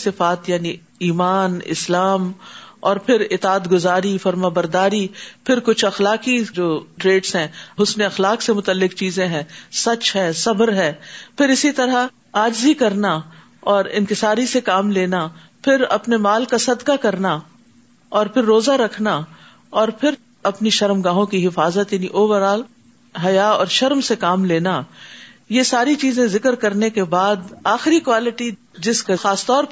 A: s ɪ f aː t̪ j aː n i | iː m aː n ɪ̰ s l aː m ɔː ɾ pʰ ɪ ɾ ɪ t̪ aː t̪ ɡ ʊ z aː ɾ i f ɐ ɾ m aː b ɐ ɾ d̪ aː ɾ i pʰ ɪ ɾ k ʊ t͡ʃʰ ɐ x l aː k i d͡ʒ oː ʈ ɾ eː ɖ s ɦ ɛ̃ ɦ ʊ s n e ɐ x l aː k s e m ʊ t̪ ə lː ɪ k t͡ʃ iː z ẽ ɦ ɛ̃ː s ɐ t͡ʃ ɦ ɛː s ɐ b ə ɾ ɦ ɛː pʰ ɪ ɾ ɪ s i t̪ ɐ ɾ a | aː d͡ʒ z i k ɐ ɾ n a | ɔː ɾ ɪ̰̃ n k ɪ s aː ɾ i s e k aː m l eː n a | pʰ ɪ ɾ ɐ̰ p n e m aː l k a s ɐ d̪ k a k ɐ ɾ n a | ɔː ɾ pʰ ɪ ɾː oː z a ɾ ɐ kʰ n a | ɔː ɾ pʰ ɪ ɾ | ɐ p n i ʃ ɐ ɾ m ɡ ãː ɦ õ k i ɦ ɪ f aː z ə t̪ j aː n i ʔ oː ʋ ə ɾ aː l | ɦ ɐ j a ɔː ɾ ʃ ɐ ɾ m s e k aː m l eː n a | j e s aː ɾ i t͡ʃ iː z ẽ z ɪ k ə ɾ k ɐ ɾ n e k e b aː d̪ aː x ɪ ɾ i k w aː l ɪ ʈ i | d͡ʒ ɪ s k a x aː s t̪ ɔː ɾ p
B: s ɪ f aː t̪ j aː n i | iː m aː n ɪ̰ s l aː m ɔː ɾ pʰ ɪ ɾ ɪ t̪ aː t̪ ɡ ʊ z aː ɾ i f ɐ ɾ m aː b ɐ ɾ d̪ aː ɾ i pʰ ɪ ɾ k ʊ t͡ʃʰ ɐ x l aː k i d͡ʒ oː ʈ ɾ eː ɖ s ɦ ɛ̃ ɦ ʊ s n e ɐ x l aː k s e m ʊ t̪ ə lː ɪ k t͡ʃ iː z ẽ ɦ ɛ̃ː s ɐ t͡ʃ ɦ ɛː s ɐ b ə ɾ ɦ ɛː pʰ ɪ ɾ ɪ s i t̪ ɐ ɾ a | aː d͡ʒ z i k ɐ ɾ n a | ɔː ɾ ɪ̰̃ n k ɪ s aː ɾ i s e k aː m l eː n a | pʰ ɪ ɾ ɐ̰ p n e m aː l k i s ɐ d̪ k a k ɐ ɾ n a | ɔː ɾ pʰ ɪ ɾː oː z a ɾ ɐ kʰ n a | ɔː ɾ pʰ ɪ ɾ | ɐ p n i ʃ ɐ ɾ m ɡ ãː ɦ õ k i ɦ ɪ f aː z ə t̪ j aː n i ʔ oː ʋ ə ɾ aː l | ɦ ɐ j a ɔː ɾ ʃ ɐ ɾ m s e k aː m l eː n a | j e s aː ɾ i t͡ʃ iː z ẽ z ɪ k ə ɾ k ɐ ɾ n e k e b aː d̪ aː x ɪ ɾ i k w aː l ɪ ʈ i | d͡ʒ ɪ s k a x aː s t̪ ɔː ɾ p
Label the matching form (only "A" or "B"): A